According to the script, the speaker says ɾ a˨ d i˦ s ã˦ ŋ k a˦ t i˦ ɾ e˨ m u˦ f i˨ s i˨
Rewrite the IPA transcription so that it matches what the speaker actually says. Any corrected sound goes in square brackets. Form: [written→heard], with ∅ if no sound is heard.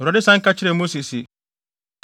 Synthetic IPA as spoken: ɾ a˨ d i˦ s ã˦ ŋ k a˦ [t→t͡ʃ] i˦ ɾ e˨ m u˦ [f→s] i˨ s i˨

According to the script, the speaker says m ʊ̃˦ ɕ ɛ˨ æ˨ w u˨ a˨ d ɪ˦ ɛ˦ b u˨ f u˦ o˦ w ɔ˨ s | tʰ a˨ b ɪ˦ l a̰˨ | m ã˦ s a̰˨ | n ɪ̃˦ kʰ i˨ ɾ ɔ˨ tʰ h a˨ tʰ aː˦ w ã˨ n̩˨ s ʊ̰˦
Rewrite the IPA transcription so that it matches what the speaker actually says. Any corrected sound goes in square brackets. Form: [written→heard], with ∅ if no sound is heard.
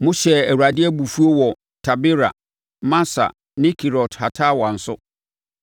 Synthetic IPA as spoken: m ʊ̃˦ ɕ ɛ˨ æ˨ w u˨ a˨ d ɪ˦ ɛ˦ b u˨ f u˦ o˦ w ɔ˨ [s→∅] | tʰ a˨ b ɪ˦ [l→ɾ] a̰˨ | m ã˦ s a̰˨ | n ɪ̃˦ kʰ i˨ ɾ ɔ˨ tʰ h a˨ tʰ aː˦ w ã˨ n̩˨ s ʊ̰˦

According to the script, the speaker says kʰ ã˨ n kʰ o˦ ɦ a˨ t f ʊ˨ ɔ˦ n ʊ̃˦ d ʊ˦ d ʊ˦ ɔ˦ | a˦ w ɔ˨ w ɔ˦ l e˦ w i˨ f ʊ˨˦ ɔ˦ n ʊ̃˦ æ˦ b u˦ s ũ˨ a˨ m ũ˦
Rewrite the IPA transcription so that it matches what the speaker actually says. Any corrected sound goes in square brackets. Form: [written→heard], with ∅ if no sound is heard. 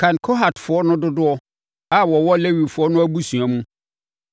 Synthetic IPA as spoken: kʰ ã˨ n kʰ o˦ ɦ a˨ t f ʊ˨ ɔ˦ n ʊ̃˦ d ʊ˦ d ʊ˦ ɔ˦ | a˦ w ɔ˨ w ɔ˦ l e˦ w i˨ f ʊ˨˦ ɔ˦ n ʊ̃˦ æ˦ b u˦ s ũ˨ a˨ m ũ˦

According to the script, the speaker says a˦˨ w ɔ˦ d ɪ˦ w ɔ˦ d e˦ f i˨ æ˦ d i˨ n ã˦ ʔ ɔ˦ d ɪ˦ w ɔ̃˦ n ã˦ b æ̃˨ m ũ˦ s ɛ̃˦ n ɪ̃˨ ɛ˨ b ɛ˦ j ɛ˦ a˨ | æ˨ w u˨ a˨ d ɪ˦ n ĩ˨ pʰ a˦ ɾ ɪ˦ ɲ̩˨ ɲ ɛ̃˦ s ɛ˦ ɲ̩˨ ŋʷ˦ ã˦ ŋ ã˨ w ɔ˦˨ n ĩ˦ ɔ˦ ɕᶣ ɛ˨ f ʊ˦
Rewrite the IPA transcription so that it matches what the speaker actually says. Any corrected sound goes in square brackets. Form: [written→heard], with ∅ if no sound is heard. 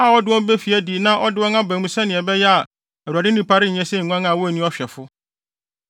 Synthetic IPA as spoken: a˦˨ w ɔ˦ d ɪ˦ w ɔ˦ [d→b] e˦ f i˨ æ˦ d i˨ n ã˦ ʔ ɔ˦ d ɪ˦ w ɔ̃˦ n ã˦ b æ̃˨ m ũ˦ s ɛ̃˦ n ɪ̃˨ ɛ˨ b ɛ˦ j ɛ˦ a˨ | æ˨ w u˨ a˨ d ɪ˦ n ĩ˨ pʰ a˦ ɾ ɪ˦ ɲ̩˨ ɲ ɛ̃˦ s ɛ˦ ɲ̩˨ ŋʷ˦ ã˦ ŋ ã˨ w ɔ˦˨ n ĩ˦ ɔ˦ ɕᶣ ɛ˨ f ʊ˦

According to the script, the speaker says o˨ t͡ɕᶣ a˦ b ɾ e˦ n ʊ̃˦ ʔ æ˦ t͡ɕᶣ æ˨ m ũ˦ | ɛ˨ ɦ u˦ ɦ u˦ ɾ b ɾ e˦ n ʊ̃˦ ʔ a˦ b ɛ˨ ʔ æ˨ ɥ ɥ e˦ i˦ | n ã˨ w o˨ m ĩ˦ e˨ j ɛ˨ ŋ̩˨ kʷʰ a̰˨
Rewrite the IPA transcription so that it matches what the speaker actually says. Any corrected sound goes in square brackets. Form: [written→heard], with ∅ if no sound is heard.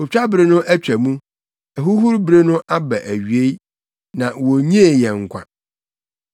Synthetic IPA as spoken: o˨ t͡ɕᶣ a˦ b ɾ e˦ n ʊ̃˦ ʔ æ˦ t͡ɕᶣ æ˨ m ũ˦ | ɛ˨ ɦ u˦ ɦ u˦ ɾ b ɾ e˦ n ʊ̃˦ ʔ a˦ b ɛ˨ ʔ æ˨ ɥ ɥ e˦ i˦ | n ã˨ w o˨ [m→ɲ] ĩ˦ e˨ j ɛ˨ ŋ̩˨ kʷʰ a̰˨

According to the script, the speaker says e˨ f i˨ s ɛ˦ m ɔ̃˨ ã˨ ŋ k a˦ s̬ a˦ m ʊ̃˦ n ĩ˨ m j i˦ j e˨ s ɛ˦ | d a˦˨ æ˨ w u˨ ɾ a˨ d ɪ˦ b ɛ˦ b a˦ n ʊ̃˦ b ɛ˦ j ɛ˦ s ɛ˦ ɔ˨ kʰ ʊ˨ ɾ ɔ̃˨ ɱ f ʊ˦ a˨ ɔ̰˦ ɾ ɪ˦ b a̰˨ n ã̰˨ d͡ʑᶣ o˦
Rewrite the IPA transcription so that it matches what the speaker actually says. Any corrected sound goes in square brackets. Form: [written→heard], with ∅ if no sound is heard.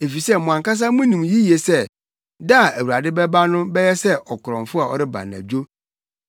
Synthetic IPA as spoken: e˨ f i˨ s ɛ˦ m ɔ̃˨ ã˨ ŋ k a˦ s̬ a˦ m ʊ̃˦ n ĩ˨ m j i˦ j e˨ s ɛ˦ | d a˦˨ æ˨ w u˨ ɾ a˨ d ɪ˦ b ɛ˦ b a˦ n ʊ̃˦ b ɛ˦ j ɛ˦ s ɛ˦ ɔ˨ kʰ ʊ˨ ɾ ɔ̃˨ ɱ f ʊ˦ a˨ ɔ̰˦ ɾ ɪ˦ b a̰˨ n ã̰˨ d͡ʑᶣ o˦

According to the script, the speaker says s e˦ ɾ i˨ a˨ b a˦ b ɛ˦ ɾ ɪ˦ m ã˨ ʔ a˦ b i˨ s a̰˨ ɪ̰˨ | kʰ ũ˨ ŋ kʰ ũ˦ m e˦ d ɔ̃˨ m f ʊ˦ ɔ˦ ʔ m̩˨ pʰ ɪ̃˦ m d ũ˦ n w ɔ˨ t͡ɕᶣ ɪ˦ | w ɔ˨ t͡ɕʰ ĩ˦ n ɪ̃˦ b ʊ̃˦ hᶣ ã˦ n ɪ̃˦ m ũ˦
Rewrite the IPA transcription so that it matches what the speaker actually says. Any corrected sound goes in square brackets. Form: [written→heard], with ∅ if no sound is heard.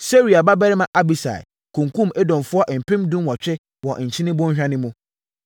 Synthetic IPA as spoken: s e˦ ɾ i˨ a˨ b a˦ b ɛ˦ ɾ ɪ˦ m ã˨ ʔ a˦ b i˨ s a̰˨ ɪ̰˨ | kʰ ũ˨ ŋ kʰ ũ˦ m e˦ d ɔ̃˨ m f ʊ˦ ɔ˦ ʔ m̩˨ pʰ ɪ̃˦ m d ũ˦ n w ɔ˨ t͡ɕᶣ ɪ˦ | w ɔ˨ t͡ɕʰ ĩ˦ n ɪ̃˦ b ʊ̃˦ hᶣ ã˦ n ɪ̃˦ m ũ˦

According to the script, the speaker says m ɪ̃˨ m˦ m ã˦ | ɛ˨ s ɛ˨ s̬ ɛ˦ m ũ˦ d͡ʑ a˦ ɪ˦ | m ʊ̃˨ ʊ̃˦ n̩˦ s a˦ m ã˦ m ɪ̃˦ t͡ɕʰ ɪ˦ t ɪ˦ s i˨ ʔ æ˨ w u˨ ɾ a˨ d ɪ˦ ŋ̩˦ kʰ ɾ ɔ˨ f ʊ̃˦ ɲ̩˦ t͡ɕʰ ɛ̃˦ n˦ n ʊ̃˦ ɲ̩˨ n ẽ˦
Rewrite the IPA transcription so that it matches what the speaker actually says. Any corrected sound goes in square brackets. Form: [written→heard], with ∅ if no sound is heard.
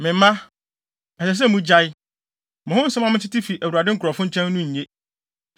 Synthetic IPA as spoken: m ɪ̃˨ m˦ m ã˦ | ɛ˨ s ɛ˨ s̬ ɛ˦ m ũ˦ d͡ʑ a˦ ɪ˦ | m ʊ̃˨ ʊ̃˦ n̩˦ s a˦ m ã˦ m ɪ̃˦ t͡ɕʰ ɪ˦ t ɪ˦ [s→f] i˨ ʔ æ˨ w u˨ ɾ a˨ d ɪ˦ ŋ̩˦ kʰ ɾ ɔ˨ f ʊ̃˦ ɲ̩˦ t͡ɕʰ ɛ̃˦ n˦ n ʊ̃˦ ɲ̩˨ [n→ɲ] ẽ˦

